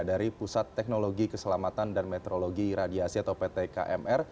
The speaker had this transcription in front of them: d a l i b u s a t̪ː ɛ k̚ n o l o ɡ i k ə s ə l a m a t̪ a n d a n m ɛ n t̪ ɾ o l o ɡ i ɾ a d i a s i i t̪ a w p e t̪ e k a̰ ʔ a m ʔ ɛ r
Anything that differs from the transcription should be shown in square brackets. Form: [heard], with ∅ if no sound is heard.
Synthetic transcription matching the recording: d a [ɾ] i [p] u s a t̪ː ɛ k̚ n o l o ɡ i k ə s ə l a m a t̪ a n d a n m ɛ [∅] t̪ ɾ o l o ɡ i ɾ a d i a s i [a] t̪ a w p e t̪ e k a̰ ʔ [ɛ] m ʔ ɛ r